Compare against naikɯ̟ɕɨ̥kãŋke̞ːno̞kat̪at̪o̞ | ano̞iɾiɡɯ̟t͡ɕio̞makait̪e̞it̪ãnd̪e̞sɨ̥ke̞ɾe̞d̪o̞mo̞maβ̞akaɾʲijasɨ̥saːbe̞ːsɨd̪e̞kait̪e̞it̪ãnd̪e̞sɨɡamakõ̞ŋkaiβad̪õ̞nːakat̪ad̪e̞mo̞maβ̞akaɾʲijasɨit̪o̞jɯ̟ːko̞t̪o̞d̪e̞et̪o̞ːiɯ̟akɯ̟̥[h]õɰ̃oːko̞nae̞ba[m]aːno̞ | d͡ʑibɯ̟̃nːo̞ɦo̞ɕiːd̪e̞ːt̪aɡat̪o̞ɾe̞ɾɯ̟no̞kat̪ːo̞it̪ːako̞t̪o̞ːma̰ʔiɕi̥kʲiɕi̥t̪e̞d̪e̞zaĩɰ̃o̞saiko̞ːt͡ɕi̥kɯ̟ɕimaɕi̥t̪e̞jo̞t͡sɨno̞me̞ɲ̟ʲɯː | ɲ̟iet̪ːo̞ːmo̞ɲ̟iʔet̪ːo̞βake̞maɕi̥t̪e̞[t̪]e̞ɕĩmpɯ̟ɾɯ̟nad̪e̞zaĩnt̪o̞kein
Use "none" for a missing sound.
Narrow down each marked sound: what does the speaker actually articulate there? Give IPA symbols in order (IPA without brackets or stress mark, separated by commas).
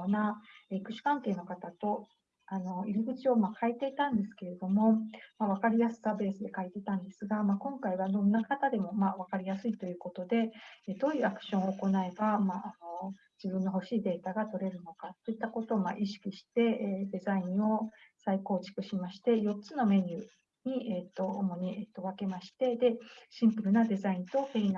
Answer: ɕ, m, d̪